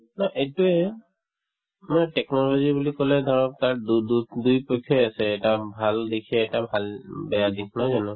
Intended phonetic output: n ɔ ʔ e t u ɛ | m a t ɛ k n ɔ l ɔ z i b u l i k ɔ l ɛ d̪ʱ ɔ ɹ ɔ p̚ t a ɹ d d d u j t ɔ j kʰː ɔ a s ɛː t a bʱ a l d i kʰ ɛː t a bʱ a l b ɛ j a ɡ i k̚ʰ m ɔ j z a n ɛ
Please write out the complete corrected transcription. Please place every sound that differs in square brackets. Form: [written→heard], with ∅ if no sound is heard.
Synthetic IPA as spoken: n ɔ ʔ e t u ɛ | m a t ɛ k n ɔ l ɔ z i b u l i k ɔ l ɛ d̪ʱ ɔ ɹ ɔ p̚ t a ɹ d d d u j [t→p] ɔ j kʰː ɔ a s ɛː t a bʱ a l d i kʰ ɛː t a bʱ a l b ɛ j a [ɡ→d] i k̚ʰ [m→n] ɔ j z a n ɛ